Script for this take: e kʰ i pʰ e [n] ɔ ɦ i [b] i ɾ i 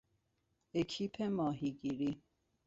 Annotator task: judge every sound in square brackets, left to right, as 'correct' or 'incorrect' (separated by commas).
incorrect, incorrect